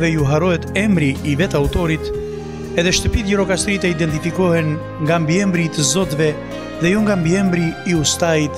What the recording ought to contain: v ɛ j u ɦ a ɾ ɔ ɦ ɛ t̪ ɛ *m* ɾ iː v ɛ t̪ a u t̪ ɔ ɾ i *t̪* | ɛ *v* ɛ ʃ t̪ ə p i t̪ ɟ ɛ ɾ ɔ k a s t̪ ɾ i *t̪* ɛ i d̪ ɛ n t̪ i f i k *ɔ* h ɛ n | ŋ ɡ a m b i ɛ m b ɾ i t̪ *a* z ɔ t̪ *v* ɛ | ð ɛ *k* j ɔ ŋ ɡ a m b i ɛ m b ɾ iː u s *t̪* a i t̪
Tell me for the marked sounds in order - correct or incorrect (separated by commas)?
correct, correct, incorrect, correct, correct, incorrect, correct, incorrect, correct